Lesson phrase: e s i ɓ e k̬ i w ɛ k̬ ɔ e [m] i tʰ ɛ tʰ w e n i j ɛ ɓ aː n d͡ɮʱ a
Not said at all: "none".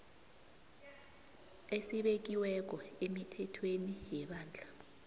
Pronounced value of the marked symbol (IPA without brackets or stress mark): m